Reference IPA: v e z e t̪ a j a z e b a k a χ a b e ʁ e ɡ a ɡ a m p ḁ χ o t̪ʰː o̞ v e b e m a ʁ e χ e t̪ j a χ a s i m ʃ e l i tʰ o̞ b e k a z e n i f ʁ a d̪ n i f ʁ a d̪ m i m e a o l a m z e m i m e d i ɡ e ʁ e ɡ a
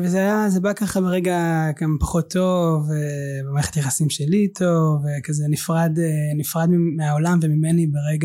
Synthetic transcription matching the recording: v e z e a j a z e b a k a χ a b e ʁ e ɡ a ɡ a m p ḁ χ o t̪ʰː o̞ v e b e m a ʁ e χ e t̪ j a χ a s i m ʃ e l i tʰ o̞ v e k a z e n i f ʁ a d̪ n i f ʁ a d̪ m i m e a o l a m v e m i m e n i b e ʁ e ɡ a